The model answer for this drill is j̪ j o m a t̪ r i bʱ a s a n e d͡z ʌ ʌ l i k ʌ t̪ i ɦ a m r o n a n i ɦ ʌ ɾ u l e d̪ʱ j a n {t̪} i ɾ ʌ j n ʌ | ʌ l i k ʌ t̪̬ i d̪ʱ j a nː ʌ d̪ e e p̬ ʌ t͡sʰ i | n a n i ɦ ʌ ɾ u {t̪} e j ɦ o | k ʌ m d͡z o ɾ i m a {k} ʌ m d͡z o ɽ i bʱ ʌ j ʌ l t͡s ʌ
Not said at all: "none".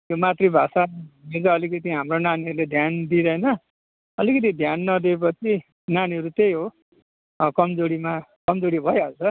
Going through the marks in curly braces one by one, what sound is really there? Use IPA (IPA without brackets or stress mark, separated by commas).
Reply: d̪, t̪, k